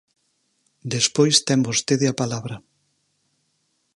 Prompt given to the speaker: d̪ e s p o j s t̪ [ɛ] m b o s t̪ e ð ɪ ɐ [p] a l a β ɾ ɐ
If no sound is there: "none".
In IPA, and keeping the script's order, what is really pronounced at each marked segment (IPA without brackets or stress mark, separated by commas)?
ɛ, p